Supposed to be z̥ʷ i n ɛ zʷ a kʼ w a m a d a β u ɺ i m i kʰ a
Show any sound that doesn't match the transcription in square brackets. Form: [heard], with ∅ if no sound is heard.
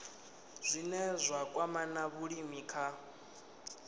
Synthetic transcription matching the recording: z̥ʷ i n ɛ zʷ a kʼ w a m a [n] a β u ɺ i m i kʰ a